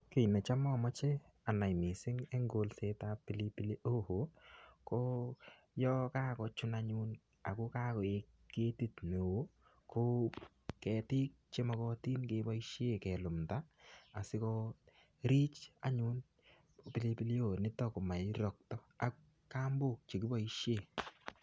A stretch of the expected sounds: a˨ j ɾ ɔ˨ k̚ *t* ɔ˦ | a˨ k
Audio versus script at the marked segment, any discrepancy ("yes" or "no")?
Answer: no